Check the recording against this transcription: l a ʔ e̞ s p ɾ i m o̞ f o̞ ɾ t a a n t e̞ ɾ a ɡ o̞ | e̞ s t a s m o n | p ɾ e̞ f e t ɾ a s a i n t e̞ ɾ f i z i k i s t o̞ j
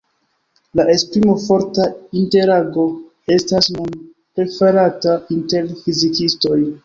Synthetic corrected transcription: l a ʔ e̞ s p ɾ i m o̞ f o̞ ɾ t a i n t e̞ ɾ a ɡ o̞ | e̞ s t a s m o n | p ɾ e̞ f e ɾ a t a i n t e̞ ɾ f i z i k i s t o̞ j